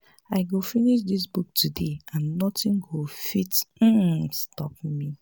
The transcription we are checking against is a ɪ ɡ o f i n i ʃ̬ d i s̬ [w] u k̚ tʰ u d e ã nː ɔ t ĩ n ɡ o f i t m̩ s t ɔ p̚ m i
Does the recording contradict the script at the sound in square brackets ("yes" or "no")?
yes